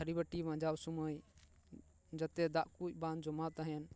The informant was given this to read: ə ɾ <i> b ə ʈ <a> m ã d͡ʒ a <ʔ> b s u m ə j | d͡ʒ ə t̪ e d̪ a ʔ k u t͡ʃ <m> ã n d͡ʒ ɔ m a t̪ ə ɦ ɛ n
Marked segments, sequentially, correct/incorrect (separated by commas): correct, incorrect, incorrect, incorrect